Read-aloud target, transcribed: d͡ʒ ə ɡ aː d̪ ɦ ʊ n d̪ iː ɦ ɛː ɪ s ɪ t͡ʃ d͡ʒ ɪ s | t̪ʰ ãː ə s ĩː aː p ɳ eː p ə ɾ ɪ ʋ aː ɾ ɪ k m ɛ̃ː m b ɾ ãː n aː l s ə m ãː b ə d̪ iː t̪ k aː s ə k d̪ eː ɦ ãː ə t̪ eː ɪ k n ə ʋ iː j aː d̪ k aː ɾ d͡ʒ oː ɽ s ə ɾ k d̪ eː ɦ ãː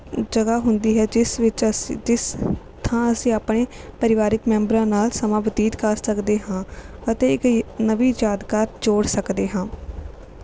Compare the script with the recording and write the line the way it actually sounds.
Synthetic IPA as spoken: d͡ʒ ə ɡ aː ɦ ʊ n d̪ iː ɦ ɛː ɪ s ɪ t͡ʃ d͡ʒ ɪ s | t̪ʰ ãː ə s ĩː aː p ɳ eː p ə ɾ ɪ ʋ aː ɾ ɪ k m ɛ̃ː m b ɾ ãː n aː l s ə m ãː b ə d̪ iː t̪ k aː s ə k d̪ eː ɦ ãː ə t̪ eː ɪ k n ə ʋ iː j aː d̪ k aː ɾ d͡ʒ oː ɽ s ə k d̪ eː ɦ ãː

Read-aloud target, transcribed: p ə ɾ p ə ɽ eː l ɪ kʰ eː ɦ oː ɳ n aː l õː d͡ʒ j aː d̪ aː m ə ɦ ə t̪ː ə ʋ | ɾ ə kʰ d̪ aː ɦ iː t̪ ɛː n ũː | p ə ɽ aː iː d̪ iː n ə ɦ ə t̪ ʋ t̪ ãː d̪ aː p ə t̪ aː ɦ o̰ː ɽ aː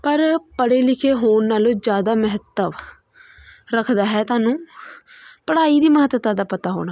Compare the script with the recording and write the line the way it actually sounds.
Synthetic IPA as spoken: p ə ɾ p ə ɽ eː l ɪ kʰ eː ɦ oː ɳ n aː l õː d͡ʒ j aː d̪ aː m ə ɦ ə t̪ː ə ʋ | ɾ ə kʰ d̪ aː ɦ ɛː t̪ aː n ũː | p ə ɽ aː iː d̪ iː m ə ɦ ə t̪ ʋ t̪ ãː d̪ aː p ə t̪ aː ɦ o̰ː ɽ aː

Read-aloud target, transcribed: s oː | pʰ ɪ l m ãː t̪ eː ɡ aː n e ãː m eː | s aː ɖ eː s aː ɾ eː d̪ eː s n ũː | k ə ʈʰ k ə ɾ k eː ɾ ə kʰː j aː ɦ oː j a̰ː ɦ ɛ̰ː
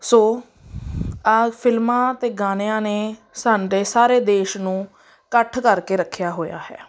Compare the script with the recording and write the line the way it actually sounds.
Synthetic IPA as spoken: s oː | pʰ ɪ l m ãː t̪ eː ɡ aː n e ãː n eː | s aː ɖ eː s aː ɾ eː d̪ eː ʃ n ũː | k ə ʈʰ k ə ɾ k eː ɾ ə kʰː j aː ɦ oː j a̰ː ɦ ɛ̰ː

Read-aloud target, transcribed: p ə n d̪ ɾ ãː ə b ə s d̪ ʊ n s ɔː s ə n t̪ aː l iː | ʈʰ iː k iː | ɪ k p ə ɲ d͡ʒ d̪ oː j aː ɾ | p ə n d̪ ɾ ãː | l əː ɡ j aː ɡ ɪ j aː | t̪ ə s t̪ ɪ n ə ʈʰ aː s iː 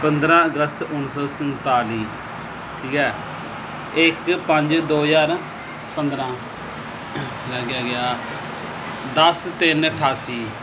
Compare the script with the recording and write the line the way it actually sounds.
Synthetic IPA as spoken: p ə n d̪ ɾ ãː ə ɡ ə s t̪ ʊ n s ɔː s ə n t̪ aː l iː | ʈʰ iː k ɛː | ɪ k p ə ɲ d͡ʒ d̪ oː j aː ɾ | p ə n d̪ ɾ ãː | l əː ɡ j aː ɡ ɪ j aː | d̪ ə s t̪ ɪ n ə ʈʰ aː s iː

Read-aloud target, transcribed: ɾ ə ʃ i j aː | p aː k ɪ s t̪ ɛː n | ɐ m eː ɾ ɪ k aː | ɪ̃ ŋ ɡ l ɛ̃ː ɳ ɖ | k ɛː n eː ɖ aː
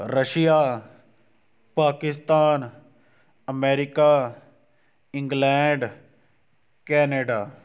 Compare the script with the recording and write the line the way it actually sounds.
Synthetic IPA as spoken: ɾ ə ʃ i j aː | p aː k ɪ s t̪ aː n | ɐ m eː ɾ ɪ k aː | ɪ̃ ŋ ɡ l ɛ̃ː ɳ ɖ | k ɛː n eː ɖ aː

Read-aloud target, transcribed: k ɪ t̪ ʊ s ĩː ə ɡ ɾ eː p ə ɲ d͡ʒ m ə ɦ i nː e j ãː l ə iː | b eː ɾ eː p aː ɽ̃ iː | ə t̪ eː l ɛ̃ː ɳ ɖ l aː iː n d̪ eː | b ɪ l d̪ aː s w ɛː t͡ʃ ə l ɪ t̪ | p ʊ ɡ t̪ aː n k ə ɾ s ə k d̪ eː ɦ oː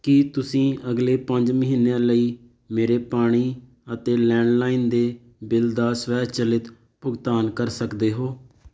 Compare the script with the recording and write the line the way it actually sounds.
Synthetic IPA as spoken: k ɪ t̪ ʊ s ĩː ə ɡ l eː p ə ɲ d͡ʒ m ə ɦ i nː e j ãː l ə iː | m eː ɾ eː p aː ɽ̃ iː | ə t̪ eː l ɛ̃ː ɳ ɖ l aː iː n d̪ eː | b ɪ l d̪ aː s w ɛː t͡ʃ ə l ɪ t̪ | p ʊ ɡ t̪ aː n k ə ɾ s ə k d̪ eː ɦ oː

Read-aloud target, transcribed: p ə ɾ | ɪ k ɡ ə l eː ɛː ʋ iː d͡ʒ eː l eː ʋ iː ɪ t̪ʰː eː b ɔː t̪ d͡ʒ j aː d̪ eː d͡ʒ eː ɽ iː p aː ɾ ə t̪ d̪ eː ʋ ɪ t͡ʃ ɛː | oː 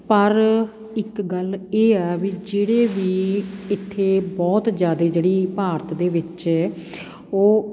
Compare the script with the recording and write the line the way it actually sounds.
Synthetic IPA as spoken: p ə ɾ | ɪ k ɡ ə l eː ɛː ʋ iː d͡ʒ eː ɽ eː ʋ iː ɪ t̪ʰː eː b ɔː t̪ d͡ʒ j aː d̪ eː d͡ʒ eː ɽ iː p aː ɾ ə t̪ d̪ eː ʋ ɪ t͡ʃ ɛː | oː

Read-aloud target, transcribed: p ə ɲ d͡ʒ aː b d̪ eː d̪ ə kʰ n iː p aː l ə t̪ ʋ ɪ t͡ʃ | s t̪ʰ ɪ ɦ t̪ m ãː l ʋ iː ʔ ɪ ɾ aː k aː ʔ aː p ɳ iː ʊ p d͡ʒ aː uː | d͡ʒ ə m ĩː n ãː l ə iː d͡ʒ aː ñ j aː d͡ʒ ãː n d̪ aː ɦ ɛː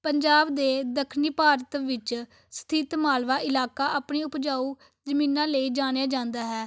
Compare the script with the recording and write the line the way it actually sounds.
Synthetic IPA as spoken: p ə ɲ d͡ʒ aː b d̪ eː d̪ ə kʰ n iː p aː ɾ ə t̪ ʋ ɪ t͡ʃ | s t̪ʰ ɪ t̪ m aː l ʋ aː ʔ ɪ l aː k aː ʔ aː p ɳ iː ʊ p d͡ʒ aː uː | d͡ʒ ə m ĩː n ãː l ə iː d͡ʒ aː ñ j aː d͡ʒ ãː n d̪ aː ɦ ɛː

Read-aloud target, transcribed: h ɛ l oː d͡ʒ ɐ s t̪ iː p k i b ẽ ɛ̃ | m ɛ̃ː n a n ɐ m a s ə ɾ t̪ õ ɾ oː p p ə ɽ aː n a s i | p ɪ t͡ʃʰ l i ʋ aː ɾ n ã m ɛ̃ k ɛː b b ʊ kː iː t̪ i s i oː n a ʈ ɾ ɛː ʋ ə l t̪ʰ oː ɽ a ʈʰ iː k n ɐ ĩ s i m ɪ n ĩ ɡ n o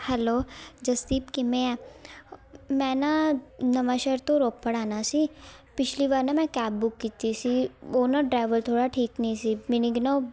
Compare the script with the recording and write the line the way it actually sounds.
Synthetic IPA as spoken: h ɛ l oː d͡ʒ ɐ s t̪ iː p k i m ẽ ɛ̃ | m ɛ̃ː n a n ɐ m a ʃ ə ɾ t̪ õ ɾ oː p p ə ɽ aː n a s i | p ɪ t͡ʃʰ l i ʋ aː ɾ n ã m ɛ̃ k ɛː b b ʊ kː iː t̪ i s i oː n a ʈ ɾ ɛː ʋ ə l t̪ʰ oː ɽ a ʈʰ iː k n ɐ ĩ s i m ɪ n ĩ ɡ n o

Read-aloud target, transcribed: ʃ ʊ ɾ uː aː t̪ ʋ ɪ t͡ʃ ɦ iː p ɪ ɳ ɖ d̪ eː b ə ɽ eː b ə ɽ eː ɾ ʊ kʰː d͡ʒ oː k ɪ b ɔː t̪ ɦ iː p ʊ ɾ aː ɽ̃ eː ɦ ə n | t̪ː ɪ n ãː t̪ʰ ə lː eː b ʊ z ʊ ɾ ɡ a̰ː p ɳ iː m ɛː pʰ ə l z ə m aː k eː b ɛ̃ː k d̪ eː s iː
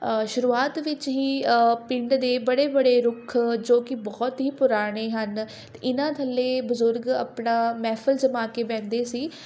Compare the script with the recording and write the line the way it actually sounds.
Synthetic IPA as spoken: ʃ ʊ ɾ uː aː t̪ ʋ ɪ t͡ʃ ɦ iː p ɪ ɳ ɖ d̪ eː b ə ɽ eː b ə ɽ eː ɾ ʊ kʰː d͡ʒ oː k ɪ b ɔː t̪ ɦ iː p ʊ ɾ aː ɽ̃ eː ɦ ə n | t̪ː ɪ n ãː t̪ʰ ə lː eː b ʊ z ʊ ɾ ɡ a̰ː p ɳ aː m ɛː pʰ ə l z ə m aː k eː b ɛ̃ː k d̪ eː s iː

